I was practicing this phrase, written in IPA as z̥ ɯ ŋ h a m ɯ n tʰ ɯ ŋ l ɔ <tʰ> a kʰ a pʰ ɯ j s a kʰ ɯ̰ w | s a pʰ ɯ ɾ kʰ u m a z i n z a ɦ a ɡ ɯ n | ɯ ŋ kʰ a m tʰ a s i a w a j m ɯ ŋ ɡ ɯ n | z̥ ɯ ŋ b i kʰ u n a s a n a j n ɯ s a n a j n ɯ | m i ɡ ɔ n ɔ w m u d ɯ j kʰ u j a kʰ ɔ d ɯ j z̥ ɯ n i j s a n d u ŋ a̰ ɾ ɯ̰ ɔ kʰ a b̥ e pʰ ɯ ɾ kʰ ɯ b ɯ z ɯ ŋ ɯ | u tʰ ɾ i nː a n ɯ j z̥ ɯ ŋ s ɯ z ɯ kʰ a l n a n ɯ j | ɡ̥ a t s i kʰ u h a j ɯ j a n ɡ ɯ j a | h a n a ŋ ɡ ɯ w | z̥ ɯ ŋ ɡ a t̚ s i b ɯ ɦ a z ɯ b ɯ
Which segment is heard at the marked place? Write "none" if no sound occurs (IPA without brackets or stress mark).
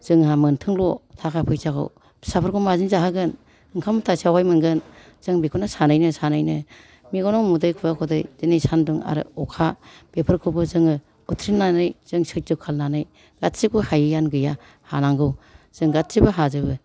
tʰ